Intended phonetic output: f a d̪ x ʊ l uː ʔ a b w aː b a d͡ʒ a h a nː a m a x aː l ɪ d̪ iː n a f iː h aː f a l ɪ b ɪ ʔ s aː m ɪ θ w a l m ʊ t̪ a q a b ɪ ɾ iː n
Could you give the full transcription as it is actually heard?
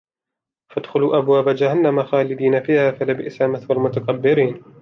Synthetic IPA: f a d̪ x ʊ l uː ʔ a b w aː b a d͡ʒ a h a nː a m a x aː l ɪ d̪ iː n a f iː h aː f a l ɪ b ɪ ʔ s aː m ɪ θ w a l m ʊ t̪ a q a bː ɪ ɾ iː n